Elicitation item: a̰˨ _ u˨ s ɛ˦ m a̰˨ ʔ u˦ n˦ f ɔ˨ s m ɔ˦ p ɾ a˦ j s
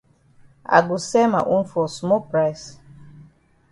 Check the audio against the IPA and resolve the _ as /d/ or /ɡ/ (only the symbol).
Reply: ɡ